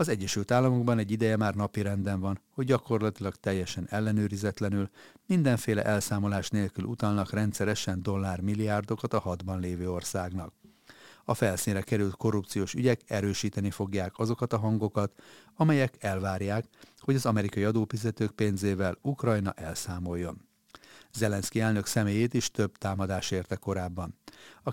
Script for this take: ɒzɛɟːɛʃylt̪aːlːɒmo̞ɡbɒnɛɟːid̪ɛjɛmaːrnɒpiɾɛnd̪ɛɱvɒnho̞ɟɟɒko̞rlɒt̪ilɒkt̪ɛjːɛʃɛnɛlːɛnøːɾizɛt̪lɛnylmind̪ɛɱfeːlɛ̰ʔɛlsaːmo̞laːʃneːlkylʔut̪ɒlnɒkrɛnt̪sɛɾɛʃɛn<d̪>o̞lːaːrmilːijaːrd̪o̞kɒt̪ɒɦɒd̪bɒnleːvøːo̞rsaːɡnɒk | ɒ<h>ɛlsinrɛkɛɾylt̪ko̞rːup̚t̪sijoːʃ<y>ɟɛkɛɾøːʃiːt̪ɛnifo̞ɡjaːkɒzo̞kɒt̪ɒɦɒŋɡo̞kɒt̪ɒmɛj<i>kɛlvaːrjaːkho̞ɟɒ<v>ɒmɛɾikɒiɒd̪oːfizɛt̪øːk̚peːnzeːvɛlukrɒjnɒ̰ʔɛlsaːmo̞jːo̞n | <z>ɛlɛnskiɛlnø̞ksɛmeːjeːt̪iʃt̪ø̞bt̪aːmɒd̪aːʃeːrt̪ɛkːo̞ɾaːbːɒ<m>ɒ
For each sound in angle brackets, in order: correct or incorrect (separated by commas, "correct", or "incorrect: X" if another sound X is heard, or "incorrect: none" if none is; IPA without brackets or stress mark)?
correct, incorrect: f, correct, incorrect: ɛ, incorrect: z, correct, incorrect: n